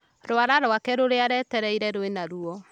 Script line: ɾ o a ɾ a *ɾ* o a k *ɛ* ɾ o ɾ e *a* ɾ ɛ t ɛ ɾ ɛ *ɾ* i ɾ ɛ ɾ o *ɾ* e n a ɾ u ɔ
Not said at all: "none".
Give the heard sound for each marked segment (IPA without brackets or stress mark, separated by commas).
ɾ, ɛ, a, none, none